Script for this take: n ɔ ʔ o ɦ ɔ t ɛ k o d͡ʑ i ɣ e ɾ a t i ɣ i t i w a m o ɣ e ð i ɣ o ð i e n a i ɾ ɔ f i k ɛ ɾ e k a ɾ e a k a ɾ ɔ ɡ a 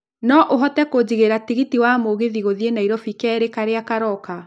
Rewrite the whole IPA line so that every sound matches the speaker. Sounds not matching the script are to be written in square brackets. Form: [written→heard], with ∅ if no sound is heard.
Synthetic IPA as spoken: n ɔ ʔ o ɦ ɔ t ɛ k o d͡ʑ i ɣ e ɾ a t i ɣ i t i w a m o ɣ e ð i ɣ o ð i e n a i ɾ ɔ f i k ɛ ɾ e k a ɾ e a k a ɾ ɔ [ɡ→k] a